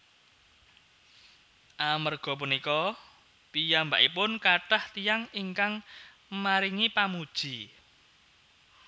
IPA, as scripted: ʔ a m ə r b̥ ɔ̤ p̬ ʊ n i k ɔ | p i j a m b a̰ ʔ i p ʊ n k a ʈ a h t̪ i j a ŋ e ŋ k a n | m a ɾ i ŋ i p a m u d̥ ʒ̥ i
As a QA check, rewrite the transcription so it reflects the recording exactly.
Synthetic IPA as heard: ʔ a m ə r ɡ̥ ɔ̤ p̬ u n i k ɔ | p i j a m b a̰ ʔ i p ʊ n k a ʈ a h t̪ i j a ŋ i ŋ k a ŋ | m a ɾ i ŋ i p a m u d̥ ʒ̥ i

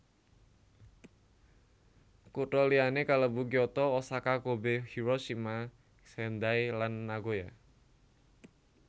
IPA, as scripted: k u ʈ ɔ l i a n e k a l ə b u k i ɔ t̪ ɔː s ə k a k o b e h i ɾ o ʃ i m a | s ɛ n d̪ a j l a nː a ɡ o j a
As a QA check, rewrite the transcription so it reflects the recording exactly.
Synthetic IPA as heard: k u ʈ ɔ l i a n e k a l ə b u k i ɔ t̪ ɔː s a k a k o b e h i ɾ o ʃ i m a | s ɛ n d̪ a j l a nː a ɡ o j a

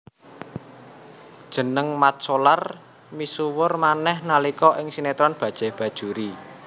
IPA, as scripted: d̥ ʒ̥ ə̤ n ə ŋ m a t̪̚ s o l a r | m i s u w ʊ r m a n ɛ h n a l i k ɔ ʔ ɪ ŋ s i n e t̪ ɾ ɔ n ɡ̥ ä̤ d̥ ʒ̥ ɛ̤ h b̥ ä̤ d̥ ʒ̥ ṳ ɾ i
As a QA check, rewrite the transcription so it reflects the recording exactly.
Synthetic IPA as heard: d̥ ʒ̥ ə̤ n ə ŋ m a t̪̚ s o l a r | m i s u w ʊ r m a n ɛ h n a l i k ɔ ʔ ɪ ŋ s i n e t̪ ɾ ɔ n b̥ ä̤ d̥ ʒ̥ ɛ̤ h b̥ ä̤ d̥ ʒ̥ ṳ ɾ i

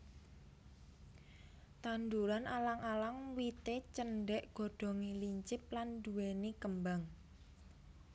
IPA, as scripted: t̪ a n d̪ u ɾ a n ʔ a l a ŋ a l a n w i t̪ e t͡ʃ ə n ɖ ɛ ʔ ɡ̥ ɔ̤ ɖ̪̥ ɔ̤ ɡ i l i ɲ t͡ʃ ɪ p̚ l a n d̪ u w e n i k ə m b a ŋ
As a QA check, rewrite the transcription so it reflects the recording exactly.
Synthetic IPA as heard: t̪ a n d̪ u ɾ a n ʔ a l a ŋ a l a ŋ w i t̪ e t͡ʃ ə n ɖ ɛ ʔ ɡ̥ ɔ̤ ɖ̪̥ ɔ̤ ŋ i l i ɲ t͡ʃ ɪ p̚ l a n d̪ u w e n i k ə m b a ŋ

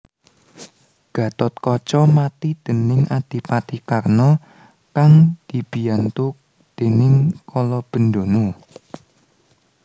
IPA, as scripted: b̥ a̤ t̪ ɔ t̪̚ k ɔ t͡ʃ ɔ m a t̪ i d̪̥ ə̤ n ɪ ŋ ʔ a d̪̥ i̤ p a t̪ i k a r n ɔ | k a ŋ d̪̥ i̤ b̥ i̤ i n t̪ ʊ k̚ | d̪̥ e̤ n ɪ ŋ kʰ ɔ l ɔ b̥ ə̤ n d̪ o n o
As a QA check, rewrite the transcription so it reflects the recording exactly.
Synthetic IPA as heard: ɡ̥ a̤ t̪ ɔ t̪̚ k ɔ t͡ʃ ɔ m a t̪ i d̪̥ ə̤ n ɪ ŋ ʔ a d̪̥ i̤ p a t̪ i k a r n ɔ | k a ŋ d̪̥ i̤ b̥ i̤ a n t̪ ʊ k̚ | d̪̥ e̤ n ɪ ŋ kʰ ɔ l ɔ b̥ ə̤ n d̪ o n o

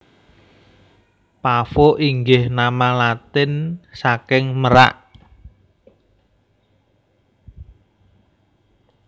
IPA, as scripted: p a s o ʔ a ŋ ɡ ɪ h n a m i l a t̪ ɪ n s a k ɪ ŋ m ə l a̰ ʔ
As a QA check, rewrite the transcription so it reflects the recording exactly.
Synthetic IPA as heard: p a f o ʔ i ŋ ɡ ɪ h n a m a l a t̪ ɪ n s a k ɪ ŋ m ə ɾ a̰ ʔ

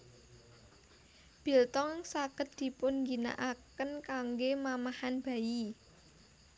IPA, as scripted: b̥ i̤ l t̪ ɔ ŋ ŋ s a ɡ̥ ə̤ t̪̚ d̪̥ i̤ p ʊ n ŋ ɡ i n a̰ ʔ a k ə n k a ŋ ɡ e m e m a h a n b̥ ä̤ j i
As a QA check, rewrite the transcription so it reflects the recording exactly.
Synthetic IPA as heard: b̥ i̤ l t̪ ɔ ŋ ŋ s a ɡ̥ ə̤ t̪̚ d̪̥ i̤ p ʊ n ŋ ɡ i n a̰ ʔ a k ə n k a ŋ ɡ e m a m a h a n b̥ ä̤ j i

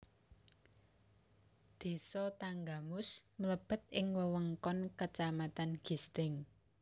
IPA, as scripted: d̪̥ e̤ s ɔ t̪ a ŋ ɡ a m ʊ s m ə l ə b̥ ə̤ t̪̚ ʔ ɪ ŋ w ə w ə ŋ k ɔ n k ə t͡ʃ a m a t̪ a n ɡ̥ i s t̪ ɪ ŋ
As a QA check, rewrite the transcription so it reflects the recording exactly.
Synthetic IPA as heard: d̪̥ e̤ s ɔ t̪ a ŋ ɡ a m ʊ s m ə l ə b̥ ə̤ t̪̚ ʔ ɪ ŋ w ə w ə ŋ k ɔ n k ə t͡ʃ a m a t̪ a n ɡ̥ i s t̪ ɪ ŋ

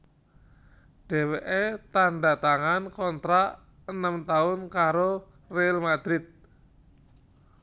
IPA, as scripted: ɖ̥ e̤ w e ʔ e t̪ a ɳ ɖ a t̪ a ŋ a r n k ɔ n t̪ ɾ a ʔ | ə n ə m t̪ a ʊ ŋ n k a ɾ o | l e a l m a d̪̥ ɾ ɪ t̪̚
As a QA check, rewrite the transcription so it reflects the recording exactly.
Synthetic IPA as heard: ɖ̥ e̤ w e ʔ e t̪ a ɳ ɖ a t̪ a ŋ a n k ɔ n t̪ ɾ a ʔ | ə n ə m t̪ a ʊ n k a ɾ o | r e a l m a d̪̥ ɾ ɪ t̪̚

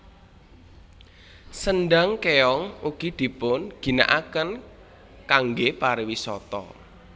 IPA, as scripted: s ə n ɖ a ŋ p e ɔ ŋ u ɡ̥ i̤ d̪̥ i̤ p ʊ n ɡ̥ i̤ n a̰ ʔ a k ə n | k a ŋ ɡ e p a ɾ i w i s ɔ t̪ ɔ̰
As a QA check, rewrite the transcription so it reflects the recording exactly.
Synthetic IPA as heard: s ə n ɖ a ŋ k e ɔ ŋ u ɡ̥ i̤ d̪̥ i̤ p ʊ n ɡ̥ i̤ n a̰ ʔ a k ə n | k a ŋ ɡ e p a ɾ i w i s ɔ t̪ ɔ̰

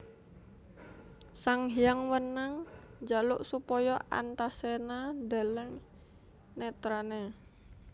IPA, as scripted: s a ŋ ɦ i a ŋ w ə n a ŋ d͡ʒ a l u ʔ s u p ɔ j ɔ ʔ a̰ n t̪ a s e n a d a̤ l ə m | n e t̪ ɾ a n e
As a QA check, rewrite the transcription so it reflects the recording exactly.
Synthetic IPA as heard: s a ŋ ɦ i a ŋ w ə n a ŋ d͡ʒ a l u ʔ s u p ɔ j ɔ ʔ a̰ n t̪ a s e n a d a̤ l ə ŋ | n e t̪ ɾ a n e

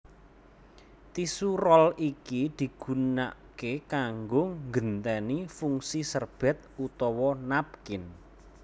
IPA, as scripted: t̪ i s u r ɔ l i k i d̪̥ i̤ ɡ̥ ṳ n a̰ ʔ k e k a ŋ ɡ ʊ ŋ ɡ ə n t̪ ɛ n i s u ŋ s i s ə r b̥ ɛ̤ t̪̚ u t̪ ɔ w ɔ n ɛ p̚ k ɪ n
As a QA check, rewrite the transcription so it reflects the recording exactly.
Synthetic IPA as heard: t̪ i s u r ɔ l i k i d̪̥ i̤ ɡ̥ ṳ n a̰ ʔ k e k a ŋ ɡ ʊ ŋ ɡ ə n t̪ ɛ n i f u ŋ s i s ə r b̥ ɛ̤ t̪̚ u t̪ ɔ w ɔ n a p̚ k ɪ n

